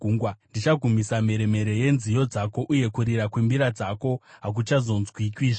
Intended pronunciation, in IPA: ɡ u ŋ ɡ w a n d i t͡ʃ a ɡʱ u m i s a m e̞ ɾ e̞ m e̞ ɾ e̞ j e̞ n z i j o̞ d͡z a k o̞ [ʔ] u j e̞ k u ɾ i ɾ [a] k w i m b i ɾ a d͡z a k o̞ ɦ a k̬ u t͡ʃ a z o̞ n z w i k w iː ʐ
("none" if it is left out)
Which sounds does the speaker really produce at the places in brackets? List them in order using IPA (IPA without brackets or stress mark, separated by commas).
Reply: ʔ, a